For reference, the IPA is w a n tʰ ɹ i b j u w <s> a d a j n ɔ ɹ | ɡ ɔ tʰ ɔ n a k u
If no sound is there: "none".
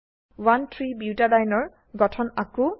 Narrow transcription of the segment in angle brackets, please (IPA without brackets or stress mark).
t